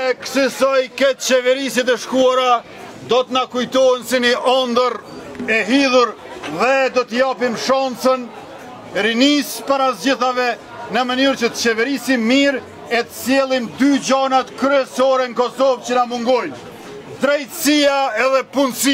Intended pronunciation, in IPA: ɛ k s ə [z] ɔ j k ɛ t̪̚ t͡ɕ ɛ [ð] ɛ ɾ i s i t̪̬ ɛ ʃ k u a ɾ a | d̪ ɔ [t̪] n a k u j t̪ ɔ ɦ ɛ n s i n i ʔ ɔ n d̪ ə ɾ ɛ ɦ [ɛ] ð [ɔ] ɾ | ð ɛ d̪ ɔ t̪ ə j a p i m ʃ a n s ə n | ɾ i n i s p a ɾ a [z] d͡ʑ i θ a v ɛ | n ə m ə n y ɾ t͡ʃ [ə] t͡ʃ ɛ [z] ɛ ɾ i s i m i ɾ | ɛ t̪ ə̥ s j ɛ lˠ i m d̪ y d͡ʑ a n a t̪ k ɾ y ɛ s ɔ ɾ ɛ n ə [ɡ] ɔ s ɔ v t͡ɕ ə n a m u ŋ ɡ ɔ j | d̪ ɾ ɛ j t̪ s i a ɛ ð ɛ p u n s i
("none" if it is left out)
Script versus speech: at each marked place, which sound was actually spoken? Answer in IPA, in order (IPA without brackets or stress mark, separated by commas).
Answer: s, v, t̪, i, u, z, ə, v, k